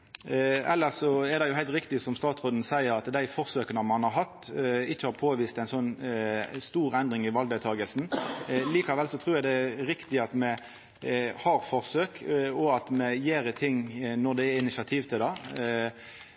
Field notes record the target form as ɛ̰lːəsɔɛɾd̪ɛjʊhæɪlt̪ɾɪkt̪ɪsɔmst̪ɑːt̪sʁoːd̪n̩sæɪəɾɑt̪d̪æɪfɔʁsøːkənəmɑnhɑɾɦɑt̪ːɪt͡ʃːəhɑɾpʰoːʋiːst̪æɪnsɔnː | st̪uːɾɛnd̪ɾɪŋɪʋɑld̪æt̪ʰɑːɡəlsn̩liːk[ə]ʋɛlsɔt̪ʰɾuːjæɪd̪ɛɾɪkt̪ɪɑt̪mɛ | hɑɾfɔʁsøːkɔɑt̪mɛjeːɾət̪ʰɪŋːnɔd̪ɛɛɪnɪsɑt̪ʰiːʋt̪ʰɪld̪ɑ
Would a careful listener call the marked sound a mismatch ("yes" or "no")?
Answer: yes